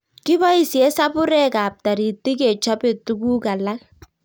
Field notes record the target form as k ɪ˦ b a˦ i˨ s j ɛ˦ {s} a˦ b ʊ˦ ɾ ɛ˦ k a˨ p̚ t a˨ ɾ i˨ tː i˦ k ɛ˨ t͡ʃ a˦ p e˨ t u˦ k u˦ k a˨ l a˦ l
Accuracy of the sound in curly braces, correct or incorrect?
correct